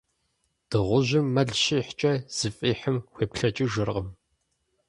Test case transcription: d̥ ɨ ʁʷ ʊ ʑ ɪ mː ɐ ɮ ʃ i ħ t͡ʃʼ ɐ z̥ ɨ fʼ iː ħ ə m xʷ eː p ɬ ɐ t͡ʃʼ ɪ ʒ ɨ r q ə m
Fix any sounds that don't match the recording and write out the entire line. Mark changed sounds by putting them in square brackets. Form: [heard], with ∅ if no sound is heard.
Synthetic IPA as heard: d̥ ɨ ʁʷ ʊ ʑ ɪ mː ɐ ɮ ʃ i ħ t͡ʃʼ ɐ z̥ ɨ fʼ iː ħ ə m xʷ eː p ɬ ɐ t͡ʃʼ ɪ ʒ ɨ r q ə m